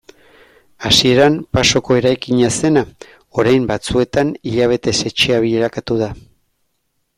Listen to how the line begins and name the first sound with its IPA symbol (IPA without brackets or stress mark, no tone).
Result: a